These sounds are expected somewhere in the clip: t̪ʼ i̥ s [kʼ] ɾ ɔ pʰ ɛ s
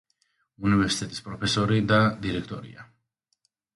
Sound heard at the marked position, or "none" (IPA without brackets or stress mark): pʼ